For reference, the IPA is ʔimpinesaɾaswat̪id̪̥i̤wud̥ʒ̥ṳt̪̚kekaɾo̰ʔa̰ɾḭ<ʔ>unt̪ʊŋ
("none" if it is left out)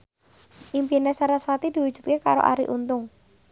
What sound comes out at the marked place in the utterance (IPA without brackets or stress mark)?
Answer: ʔ